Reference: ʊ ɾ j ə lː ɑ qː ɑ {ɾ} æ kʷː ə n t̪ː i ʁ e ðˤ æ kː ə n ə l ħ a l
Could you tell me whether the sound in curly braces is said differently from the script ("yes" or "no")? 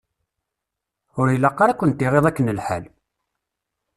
no